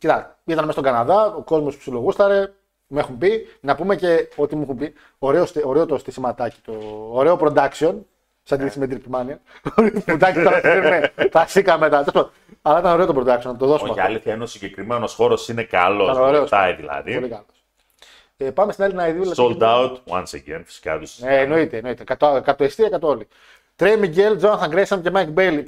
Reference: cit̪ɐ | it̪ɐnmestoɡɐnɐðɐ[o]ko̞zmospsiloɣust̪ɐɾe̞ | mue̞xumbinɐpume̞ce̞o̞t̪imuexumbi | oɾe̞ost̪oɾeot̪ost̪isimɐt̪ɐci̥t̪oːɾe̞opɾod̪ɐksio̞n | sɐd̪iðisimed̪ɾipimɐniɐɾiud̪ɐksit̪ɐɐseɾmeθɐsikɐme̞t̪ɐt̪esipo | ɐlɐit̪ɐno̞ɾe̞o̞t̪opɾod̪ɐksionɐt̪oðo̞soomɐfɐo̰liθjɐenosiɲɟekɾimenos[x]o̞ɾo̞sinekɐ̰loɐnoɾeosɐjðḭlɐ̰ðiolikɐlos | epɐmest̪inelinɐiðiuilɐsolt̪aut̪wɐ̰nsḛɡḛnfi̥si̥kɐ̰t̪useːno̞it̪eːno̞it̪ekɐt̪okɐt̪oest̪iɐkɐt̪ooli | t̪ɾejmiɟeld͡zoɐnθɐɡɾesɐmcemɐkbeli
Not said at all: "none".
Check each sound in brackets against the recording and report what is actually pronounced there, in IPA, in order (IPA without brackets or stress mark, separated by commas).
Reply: o, x